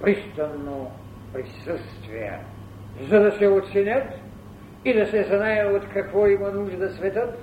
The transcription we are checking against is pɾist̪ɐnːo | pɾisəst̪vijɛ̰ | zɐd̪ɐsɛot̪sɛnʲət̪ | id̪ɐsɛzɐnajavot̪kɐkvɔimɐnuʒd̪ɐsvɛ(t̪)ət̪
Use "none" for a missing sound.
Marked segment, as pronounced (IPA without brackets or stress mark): t̪